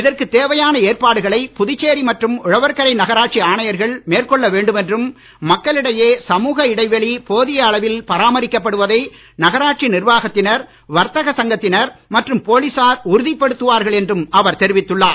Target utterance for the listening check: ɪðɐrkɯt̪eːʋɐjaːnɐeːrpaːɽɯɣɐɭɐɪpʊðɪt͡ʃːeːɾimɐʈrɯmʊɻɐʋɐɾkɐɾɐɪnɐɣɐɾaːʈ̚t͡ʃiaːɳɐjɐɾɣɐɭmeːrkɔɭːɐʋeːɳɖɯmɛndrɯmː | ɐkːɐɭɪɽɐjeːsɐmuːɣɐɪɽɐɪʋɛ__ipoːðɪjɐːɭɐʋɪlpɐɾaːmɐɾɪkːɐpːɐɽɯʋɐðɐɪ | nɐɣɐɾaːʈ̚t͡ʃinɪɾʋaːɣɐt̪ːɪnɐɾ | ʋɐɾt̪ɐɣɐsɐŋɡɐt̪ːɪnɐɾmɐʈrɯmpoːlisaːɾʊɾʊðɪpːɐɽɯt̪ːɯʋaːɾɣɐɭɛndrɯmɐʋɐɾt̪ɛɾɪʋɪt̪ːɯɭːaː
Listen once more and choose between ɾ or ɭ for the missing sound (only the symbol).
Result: ɭ